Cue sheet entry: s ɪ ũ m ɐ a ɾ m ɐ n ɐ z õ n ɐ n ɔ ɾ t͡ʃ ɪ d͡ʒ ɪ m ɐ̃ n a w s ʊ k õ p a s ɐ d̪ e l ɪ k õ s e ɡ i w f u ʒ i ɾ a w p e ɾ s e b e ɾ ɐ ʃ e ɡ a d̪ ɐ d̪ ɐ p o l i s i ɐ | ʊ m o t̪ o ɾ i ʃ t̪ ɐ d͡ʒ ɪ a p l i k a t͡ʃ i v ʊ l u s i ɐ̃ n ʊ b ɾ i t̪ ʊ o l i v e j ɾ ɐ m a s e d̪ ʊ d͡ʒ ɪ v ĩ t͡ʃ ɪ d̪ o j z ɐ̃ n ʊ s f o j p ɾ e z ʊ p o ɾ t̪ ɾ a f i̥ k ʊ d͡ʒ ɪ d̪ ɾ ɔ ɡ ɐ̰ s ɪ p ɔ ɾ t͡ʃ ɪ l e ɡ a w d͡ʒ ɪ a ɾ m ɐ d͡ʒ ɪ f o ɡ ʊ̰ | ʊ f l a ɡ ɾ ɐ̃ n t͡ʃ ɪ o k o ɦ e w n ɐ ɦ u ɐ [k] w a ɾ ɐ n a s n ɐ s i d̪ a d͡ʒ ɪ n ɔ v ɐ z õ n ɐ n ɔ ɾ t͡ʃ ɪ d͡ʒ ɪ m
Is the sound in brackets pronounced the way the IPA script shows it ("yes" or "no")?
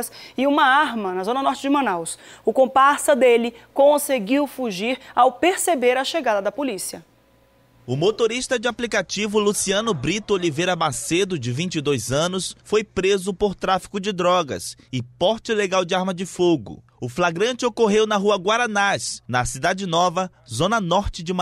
no